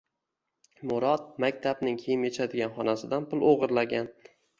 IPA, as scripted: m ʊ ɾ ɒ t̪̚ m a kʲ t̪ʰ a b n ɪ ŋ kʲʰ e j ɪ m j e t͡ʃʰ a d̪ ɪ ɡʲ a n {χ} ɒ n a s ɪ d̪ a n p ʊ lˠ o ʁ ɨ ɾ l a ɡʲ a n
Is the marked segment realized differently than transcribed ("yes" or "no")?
no